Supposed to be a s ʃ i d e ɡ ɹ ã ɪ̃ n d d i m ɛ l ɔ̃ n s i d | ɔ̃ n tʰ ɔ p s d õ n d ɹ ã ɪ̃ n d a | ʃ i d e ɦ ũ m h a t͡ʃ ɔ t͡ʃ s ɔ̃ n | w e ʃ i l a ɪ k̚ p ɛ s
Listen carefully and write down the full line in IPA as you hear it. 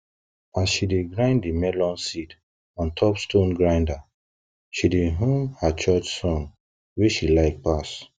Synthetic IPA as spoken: a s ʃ i d e ɡ ɹ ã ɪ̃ n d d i m ɛ l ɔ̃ n s i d | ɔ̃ n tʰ ɔ p s t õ n ɡ ɹ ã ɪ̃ n d a | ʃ i d e ɦ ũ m h a t͡ʃ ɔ t͡ʃ s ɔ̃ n | w e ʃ i l a ɪ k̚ p a s